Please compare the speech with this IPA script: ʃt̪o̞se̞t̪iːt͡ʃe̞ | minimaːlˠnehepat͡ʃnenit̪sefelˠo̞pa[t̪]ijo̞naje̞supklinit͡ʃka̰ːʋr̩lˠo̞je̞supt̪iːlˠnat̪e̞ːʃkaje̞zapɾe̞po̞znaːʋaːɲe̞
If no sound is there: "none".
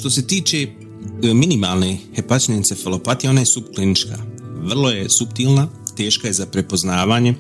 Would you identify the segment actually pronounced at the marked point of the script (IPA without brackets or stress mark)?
t̪